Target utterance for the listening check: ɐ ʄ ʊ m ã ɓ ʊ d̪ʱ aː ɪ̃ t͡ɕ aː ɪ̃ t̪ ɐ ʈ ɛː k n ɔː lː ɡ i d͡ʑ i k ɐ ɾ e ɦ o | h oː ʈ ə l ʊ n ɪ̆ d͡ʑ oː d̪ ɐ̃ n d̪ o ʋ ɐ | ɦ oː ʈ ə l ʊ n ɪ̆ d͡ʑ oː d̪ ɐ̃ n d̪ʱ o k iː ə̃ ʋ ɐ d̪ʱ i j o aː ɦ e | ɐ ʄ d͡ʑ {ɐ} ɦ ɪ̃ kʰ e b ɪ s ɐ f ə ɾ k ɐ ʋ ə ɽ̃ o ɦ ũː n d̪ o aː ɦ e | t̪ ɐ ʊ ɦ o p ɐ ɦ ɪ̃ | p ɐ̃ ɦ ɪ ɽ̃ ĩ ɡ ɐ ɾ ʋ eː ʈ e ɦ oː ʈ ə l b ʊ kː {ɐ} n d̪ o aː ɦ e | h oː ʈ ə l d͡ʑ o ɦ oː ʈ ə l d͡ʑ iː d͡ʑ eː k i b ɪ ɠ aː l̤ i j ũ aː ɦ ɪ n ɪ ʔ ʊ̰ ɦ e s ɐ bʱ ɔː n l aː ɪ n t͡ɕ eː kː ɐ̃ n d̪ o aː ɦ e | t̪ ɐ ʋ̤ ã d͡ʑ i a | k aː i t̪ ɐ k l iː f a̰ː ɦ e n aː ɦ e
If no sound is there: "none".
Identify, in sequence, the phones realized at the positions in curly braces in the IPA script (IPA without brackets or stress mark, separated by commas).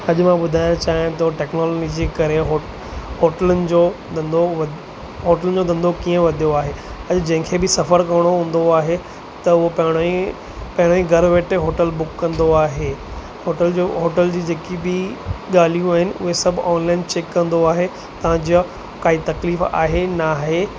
ɐ̃, ɐ̃